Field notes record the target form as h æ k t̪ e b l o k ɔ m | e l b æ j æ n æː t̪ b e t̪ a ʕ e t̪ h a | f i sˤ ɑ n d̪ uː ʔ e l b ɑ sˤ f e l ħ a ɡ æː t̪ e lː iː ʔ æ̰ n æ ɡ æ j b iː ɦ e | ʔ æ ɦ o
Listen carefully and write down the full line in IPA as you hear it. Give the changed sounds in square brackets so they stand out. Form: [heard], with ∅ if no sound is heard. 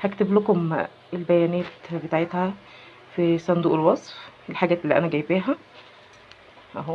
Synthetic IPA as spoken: h æ k t̪ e b l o k [o] m | e l b æ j æ n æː t̪ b e t̪ a ʕ e t̪ h [æ] | f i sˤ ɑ n d̪ uː ʔ e l [w] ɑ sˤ f e l ħ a ɡ æː t̪ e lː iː ʔ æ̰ n æ ɡ æ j b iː ɦ [æ] | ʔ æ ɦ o